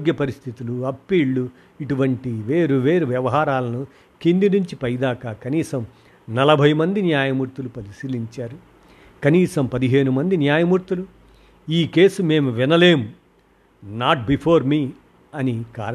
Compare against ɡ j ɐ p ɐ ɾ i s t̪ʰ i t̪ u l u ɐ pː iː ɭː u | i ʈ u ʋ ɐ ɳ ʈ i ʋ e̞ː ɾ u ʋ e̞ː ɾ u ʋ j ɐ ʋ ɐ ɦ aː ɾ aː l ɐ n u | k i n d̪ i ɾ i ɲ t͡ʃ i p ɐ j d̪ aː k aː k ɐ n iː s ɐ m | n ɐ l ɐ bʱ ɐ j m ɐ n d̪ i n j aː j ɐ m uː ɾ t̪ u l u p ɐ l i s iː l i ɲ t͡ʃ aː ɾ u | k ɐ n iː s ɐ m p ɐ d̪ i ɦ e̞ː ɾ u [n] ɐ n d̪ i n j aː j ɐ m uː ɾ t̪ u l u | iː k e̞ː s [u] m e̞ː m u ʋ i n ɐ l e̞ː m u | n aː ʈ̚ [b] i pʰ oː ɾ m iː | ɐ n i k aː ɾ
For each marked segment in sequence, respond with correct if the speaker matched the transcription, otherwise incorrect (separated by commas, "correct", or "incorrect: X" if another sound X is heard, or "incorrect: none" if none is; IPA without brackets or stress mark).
incorrect: m, correct, correct